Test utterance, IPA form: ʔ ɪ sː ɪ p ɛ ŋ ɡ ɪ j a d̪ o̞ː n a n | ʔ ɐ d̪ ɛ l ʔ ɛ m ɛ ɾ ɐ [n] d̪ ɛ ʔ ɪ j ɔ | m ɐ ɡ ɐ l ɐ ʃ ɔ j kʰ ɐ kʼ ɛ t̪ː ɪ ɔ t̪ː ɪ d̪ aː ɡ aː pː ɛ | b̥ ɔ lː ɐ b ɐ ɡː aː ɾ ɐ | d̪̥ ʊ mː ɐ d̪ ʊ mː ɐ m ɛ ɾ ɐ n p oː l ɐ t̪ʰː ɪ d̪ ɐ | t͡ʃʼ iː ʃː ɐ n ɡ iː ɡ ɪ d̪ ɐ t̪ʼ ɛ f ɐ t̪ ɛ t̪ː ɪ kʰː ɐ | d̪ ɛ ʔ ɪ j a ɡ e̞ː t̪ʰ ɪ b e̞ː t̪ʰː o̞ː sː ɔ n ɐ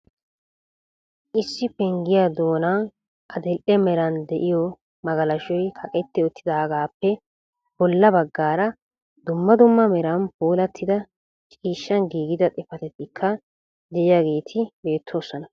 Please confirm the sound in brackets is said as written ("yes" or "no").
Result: yes